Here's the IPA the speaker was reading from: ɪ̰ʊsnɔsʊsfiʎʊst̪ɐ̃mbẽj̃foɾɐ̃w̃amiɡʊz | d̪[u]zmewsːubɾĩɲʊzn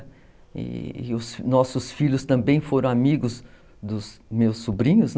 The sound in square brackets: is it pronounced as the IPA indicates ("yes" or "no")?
no